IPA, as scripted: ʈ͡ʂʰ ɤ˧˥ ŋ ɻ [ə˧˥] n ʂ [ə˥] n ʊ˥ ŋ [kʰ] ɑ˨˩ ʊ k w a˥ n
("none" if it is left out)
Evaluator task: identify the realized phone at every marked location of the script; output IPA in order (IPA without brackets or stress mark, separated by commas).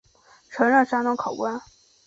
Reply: ə˥˩, a˥, kʰ